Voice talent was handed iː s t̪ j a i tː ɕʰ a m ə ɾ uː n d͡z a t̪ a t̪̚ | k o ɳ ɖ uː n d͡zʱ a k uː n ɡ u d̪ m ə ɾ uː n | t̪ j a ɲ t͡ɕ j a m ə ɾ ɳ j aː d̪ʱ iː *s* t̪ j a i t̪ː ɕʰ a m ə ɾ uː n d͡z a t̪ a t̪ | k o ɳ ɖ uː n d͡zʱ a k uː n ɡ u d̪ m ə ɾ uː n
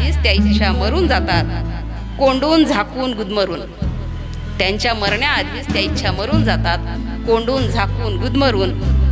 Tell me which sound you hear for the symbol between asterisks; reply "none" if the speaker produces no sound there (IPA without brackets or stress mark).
s